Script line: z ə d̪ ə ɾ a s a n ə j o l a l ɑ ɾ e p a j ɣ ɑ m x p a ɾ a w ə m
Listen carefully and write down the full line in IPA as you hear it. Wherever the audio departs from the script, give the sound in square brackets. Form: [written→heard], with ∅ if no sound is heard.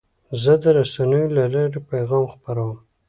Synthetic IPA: z ə d̪ ə ɾ a s a n ə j o l a l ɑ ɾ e p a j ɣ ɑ m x p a ɾ a w ə m